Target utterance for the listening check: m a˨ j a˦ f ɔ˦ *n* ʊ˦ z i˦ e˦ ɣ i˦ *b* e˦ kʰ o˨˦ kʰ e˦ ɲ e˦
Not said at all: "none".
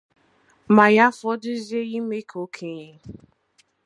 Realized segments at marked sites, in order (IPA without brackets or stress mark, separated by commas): d, m